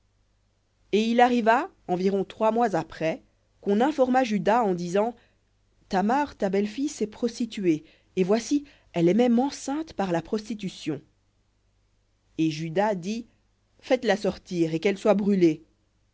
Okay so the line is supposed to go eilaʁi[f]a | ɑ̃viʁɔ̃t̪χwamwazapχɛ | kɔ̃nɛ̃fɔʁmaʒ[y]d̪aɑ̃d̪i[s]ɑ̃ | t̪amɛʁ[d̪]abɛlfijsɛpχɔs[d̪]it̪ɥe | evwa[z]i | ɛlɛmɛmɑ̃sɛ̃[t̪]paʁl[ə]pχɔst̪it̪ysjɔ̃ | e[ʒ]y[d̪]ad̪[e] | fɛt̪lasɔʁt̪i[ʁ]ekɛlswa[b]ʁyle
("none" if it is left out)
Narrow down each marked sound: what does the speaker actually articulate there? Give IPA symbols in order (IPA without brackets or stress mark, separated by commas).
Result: v, y, z, t̪, t̪, s, t̪, a, ʒ, d̪, i, ʁ, b